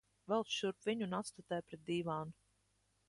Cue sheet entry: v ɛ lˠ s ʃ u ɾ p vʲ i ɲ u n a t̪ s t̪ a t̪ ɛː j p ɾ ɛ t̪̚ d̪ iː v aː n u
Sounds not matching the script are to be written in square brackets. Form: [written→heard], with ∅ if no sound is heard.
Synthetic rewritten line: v ɛ lˠ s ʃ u ɾ p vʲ i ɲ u n a t̪ s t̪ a t̪ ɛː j p ɾ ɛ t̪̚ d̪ iː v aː n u